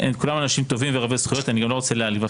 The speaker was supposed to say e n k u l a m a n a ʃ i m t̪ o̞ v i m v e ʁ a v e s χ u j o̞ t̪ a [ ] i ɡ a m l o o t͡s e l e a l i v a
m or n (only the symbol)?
n